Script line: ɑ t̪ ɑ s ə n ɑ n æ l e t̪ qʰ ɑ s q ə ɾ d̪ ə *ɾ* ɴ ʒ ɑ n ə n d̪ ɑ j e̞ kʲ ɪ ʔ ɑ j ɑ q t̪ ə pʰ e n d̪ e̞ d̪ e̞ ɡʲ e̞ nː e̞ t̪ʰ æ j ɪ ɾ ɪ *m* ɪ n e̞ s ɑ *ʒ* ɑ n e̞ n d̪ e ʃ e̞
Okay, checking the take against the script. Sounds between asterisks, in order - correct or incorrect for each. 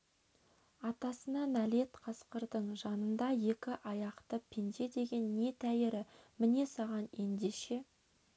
incorrect: none, correct, incorrect: ʁ

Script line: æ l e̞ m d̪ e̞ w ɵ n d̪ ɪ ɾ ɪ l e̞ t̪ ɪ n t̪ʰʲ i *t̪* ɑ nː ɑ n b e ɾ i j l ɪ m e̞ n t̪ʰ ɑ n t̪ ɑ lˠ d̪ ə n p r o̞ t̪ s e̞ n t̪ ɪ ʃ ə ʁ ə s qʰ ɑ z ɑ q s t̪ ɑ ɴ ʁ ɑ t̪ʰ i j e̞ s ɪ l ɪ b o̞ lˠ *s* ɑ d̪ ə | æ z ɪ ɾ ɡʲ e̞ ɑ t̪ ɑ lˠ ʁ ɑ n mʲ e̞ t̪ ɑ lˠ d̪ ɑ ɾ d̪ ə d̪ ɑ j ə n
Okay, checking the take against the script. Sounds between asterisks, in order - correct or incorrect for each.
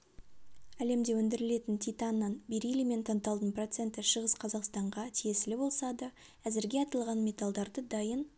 correct, correct

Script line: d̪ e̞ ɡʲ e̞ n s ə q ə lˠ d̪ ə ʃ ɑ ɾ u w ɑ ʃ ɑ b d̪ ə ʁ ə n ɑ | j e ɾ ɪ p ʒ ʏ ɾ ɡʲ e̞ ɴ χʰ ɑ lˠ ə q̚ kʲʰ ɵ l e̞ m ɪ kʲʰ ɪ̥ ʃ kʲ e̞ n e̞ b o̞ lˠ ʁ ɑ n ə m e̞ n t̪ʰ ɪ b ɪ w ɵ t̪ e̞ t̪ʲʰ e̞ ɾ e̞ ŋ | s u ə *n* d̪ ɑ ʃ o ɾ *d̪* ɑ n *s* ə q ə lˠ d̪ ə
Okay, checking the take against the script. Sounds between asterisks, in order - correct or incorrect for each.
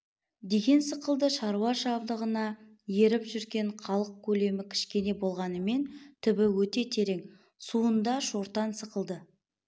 correct, incorrect: t̪, correct

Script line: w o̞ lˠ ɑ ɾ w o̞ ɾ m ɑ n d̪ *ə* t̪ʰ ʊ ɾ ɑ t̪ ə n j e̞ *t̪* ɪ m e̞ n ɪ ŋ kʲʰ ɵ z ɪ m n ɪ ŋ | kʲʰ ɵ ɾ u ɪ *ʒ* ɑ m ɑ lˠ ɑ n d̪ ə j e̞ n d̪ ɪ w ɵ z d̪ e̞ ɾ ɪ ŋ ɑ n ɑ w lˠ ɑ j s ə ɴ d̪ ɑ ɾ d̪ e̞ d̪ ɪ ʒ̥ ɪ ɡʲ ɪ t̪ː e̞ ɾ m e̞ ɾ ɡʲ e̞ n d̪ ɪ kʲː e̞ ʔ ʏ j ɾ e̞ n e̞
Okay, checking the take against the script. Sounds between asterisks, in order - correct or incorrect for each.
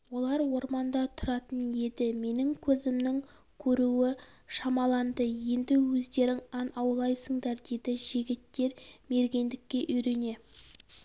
incorrect: ɑ, incorrect: d̪, incorrect: ʃ

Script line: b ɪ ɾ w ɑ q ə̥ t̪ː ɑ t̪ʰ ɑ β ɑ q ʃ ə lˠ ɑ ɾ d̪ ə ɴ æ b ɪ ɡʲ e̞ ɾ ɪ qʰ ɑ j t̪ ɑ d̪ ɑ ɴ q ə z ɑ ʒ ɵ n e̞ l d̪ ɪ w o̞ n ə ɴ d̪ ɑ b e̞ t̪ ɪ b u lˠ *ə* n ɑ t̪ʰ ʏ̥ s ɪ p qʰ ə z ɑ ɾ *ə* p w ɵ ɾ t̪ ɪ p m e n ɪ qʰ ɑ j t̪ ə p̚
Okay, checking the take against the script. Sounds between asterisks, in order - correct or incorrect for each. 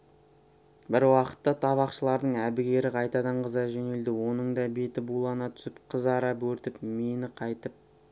incorrect: ɑ, incorrect: ɑ

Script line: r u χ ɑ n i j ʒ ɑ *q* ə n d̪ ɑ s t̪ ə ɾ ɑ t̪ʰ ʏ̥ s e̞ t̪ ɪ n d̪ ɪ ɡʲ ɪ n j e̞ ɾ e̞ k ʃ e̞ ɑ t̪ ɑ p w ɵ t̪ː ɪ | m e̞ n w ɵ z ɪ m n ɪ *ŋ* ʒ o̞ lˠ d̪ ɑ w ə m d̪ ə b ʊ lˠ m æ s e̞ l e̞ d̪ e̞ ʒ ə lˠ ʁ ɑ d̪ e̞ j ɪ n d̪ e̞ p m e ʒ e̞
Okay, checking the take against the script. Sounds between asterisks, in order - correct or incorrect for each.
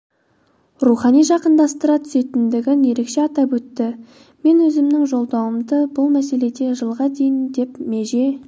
correct, correct

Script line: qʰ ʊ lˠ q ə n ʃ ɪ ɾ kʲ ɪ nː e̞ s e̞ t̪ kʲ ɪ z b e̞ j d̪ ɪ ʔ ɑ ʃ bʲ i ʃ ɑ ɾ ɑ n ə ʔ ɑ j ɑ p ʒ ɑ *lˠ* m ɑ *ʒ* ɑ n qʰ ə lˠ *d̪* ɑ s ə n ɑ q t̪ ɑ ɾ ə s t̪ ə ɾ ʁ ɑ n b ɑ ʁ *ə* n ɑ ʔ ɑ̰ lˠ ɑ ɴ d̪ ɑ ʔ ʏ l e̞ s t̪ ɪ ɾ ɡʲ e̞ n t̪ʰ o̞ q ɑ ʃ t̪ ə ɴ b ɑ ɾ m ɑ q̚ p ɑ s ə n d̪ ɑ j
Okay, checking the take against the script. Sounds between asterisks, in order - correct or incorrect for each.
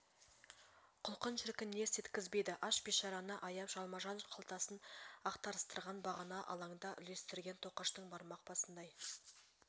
correct, correct, incorrect: t̪, incorrect: ɑ

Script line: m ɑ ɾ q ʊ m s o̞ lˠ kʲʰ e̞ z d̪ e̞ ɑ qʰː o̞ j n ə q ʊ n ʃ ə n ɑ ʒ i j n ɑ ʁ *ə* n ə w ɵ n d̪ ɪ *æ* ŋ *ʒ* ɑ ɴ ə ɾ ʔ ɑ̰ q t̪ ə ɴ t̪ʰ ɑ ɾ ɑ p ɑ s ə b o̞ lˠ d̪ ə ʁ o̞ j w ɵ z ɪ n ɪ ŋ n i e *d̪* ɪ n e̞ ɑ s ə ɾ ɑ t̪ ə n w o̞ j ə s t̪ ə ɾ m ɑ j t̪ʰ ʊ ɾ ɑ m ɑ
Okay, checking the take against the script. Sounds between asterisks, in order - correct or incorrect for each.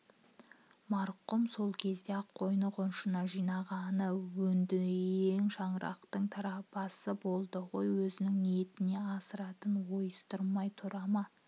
incorrect: ɑ, incorrect: e, incorrect: ʃ, incorrect: t̪

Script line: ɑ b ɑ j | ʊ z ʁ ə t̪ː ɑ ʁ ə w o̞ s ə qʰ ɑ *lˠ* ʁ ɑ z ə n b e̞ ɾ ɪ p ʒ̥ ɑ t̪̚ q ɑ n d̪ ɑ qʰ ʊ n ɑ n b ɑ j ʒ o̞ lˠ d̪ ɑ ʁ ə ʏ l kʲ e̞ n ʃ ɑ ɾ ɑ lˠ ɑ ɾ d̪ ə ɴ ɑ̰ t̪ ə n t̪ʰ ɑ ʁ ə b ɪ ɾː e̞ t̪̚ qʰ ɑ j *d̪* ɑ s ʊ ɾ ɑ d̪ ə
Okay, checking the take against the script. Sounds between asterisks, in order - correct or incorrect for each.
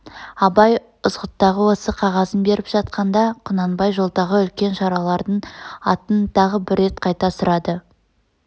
incorrect: none, incorrect: t̪

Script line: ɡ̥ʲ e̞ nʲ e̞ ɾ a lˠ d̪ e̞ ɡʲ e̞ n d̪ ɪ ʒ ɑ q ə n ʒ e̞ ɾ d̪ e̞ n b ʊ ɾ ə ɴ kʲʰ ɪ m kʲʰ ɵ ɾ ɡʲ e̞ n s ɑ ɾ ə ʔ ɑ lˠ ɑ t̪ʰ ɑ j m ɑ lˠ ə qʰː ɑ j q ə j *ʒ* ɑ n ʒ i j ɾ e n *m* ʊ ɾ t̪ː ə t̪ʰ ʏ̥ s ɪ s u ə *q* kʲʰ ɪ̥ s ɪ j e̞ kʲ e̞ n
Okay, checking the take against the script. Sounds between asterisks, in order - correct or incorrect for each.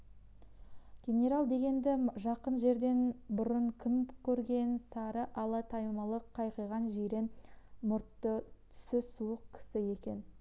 incorrect: ʁ, correct, correct

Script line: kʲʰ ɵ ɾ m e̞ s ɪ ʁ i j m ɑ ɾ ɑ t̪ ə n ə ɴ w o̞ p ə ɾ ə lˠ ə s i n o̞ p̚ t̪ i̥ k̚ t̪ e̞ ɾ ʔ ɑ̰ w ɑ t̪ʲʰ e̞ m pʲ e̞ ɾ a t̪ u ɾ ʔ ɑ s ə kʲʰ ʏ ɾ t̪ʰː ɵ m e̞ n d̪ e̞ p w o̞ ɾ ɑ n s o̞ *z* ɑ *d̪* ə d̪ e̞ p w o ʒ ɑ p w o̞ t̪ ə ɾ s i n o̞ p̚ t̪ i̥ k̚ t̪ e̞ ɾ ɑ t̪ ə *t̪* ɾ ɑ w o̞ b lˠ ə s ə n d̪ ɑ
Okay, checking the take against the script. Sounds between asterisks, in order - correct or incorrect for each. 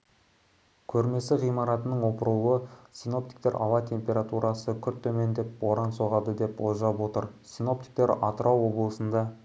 incorrect: ʁ, correct, incorrect: none

